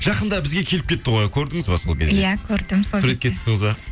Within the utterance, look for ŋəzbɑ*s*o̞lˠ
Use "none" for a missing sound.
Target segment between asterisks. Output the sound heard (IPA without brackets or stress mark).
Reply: s